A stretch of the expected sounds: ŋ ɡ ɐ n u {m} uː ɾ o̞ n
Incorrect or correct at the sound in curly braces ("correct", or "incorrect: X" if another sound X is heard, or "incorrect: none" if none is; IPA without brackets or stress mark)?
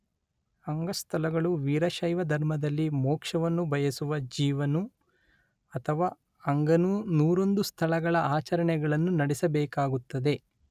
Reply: incorrect: n